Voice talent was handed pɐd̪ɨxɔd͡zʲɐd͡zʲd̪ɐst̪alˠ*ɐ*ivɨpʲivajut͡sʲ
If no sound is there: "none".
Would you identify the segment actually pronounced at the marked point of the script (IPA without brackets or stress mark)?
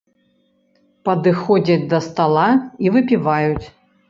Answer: a